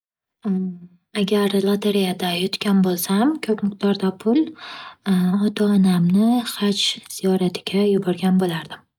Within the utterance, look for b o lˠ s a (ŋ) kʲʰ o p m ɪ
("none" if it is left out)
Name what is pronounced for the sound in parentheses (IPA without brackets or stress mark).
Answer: m